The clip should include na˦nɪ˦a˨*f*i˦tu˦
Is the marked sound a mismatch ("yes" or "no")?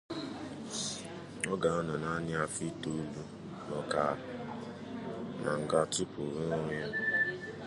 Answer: no